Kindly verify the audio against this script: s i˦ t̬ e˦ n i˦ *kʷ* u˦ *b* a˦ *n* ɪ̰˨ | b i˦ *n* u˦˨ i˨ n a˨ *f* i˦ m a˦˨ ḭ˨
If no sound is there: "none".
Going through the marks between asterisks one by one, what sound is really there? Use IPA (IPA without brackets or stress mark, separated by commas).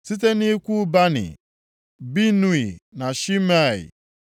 kʷ, b, n, n, ʃ